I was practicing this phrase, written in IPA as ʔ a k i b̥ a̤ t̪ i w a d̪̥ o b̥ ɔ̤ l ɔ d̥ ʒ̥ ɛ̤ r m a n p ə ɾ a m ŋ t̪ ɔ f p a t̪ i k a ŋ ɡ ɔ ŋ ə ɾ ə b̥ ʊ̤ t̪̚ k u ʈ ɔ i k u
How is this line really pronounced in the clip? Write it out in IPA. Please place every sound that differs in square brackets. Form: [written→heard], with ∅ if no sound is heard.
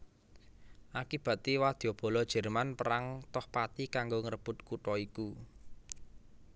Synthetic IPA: ʔ a k i b̥ a̤ t̪ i w a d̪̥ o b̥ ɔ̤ l ɔ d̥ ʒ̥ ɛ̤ r m a n p ə ɾ a [m→∅] ŋ t̪ ɔ [f→h] p a t̪ i k a ŋ ɡ [ɔ→o] ŋ ə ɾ ə b̥ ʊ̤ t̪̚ k u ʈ ɔ i k u